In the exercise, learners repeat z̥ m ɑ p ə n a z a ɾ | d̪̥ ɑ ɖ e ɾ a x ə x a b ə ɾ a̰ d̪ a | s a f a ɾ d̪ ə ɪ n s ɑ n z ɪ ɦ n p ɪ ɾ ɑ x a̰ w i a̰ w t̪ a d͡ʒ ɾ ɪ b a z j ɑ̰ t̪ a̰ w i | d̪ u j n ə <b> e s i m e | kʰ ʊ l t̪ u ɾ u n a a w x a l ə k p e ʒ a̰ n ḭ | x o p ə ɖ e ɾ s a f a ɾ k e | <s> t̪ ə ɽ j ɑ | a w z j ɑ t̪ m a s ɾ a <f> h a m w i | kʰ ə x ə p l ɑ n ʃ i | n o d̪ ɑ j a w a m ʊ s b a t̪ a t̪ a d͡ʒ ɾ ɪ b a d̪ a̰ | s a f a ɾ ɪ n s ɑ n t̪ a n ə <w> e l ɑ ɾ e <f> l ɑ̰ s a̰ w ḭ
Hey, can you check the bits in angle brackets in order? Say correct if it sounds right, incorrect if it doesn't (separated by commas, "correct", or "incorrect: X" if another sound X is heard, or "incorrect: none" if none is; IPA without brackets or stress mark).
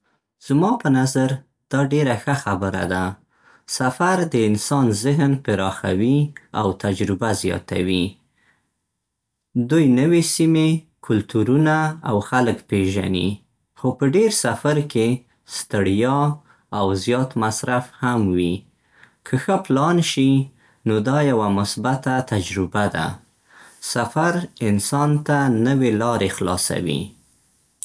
incorrect: w, correct, correct, correct, incorrect: x